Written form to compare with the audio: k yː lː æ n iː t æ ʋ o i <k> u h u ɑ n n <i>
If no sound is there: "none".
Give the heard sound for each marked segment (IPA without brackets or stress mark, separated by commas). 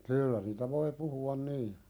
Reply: p, iː